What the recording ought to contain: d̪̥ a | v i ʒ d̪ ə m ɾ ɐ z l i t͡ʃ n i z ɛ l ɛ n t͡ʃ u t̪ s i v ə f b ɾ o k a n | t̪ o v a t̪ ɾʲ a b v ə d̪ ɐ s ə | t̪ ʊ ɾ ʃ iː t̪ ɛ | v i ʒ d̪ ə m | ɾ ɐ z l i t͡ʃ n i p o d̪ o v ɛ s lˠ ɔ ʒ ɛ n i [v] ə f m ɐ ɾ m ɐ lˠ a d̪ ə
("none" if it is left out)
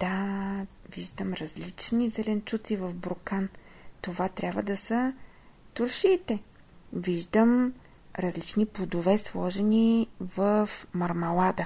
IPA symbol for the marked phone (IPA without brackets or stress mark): v